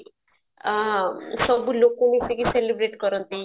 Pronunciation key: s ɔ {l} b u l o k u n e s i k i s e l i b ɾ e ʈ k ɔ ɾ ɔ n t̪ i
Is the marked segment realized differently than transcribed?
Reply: yes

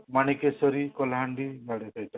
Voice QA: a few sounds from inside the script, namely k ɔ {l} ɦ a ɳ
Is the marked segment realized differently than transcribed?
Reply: no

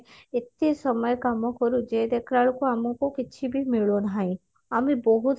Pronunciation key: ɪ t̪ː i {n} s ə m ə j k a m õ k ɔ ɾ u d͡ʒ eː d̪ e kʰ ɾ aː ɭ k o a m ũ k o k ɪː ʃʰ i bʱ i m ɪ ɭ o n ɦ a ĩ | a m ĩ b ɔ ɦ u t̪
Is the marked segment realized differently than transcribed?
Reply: yes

